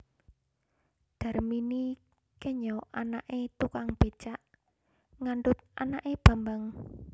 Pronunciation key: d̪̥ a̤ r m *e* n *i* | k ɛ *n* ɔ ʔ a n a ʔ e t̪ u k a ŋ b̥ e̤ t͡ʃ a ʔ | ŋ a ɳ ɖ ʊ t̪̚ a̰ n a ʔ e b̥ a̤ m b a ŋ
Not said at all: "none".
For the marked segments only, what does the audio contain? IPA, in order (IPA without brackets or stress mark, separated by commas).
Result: i, i, ɲ